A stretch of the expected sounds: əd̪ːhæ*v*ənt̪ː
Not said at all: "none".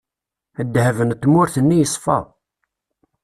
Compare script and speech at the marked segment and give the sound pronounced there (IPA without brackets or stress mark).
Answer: v